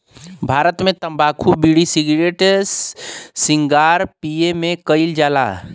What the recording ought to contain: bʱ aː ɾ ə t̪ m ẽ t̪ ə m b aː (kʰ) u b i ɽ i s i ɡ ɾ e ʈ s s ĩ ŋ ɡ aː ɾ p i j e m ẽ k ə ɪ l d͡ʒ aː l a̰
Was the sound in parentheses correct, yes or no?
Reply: yes